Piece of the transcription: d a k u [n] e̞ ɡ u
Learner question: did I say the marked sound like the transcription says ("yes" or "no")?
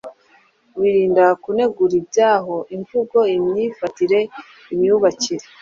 yes